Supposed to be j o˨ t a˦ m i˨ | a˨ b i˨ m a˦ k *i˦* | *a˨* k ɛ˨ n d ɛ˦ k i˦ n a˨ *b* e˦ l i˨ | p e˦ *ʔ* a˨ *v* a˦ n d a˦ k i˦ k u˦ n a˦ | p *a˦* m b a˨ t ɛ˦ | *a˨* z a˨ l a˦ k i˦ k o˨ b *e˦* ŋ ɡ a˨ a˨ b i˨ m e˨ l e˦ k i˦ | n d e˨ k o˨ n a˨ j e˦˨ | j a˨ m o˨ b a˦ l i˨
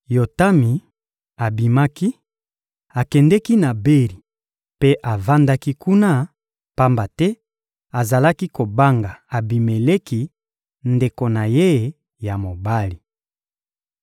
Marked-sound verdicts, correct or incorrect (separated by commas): correct, correct, correct, correct, correct, correct, correct, incorrect